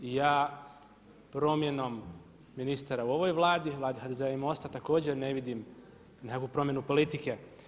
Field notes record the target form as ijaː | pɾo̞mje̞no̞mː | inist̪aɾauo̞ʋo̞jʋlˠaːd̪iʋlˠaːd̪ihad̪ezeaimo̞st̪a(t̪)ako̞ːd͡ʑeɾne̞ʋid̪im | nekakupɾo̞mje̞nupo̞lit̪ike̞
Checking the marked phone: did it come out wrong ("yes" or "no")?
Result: no